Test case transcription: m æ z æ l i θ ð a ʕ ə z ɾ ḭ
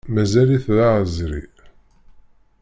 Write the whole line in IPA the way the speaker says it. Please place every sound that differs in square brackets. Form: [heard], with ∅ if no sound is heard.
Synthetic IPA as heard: m æ z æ l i θ ð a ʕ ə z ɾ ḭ